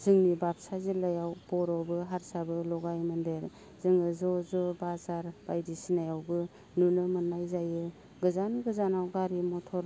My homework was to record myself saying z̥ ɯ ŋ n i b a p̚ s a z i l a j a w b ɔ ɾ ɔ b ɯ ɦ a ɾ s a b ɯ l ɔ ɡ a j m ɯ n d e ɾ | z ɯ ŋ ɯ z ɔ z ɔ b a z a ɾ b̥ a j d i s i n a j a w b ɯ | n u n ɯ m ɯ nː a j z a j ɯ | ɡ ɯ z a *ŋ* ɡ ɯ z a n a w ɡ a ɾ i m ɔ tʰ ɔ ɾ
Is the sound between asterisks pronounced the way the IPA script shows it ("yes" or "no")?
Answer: no